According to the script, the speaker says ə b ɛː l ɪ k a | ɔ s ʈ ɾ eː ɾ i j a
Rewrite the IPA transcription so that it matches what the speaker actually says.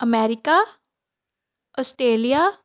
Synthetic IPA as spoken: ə m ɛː ɾ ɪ k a | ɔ s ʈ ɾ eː l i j a